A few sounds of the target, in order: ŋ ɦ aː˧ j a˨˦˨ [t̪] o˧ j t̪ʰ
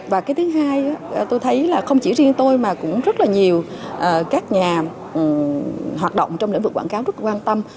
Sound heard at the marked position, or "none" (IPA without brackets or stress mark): t̪